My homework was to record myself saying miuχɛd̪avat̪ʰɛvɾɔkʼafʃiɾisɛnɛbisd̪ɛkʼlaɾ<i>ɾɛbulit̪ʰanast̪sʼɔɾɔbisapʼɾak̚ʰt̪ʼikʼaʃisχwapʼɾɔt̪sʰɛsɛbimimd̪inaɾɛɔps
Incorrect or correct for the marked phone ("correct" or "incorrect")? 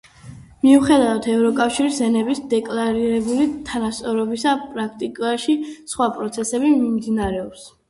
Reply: correct